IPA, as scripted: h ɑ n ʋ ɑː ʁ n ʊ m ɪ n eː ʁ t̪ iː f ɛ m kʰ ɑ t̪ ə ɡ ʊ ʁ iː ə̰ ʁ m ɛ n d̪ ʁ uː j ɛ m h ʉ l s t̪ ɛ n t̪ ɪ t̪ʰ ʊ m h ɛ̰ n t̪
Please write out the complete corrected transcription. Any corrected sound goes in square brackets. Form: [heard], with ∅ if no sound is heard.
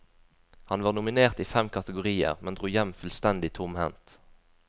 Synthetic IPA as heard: h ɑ n ʋ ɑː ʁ n ʊ m ɪ n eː ʁ t̪ iː f ɛ m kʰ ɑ t̪ ə ɡ ʊ ʁ iː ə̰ ʁ m ɛ n d̪ ʁ uː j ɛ m [f] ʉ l s t̪ ɛ n [d̪] ɪ t̪ʰ ʊ m h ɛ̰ n t̪